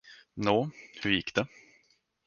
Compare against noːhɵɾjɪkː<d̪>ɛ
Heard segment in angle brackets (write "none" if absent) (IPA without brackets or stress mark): d̪